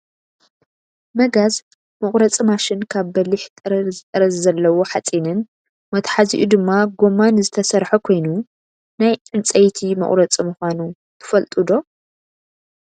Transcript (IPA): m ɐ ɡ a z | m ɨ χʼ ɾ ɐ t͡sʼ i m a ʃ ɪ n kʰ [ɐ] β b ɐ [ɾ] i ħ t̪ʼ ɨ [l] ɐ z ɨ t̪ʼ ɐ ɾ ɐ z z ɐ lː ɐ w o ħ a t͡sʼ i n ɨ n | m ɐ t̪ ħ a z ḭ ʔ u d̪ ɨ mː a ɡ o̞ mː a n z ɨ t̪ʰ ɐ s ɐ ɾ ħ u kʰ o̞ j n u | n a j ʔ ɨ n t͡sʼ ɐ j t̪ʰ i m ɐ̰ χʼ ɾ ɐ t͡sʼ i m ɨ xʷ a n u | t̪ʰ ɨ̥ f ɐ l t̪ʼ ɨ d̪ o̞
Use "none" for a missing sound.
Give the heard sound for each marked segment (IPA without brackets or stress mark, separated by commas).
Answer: a, l, ɾ